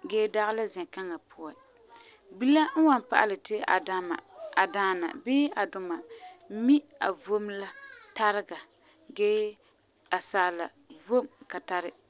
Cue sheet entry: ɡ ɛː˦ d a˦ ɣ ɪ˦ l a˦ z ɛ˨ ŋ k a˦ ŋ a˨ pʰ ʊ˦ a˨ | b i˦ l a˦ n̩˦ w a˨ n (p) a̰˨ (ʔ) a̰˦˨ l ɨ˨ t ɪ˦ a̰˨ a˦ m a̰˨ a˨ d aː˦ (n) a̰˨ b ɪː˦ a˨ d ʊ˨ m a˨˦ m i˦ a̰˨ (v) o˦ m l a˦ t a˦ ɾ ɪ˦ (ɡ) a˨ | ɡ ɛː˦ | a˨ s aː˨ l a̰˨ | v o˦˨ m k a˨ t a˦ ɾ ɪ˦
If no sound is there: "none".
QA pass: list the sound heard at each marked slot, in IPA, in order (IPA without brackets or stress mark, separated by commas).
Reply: p, ʔ, n, v, ɡ